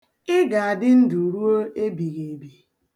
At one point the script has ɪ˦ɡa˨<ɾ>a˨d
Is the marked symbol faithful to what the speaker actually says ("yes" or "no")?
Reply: no